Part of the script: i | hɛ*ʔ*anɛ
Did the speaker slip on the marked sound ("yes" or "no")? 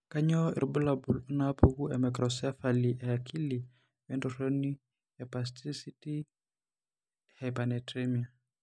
yes